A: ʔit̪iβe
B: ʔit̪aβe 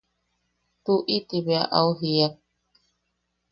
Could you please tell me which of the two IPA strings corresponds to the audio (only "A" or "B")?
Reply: A